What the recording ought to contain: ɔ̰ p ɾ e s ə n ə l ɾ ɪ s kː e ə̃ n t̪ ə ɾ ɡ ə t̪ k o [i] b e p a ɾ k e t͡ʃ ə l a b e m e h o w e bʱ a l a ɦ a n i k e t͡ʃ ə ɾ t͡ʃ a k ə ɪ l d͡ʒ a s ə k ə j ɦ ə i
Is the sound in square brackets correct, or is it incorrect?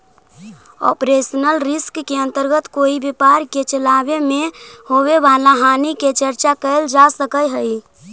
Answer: correct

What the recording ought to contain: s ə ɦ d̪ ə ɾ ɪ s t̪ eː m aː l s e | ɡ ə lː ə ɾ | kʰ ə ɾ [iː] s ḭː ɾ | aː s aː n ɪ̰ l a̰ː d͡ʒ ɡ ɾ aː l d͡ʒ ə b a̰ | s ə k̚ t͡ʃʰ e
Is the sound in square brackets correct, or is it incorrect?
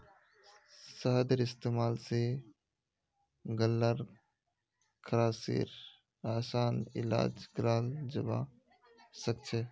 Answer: incorrect: aː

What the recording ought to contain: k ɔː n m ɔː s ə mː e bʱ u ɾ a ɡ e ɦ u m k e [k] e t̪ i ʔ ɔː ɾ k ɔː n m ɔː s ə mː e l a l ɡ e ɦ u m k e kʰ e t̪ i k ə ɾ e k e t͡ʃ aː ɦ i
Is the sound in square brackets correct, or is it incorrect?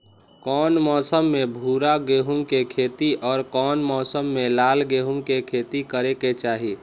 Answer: incorrect: kʰ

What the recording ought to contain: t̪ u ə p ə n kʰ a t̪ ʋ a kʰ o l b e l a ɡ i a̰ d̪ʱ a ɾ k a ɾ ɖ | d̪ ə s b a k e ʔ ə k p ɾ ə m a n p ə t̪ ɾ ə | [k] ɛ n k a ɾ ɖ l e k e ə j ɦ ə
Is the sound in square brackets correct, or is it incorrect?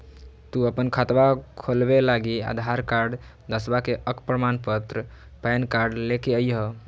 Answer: incorrect: p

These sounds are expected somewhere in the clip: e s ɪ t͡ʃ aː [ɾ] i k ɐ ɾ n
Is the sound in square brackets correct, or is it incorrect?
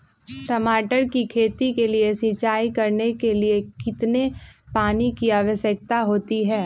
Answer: incorrect: none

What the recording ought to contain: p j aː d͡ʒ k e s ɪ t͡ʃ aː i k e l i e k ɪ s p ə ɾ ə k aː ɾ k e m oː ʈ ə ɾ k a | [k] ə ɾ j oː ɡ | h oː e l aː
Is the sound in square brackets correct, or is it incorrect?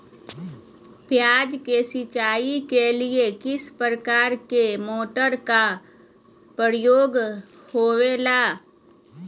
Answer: incorrect: p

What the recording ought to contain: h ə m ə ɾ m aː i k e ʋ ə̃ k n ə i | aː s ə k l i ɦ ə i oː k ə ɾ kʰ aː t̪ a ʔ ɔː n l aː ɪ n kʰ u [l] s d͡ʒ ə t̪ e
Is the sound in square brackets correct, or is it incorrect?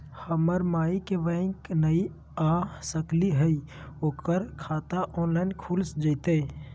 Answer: correct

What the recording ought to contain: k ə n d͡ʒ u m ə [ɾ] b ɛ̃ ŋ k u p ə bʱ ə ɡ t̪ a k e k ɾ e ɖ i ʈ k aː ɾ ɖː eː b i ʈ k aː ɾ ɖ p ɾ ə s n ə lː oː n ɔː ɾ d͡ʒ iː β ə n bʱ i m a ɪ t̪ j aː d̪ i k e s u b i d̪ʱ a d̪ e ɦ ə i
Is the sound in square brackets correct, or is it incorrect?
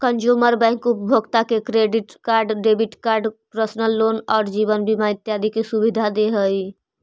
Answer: correct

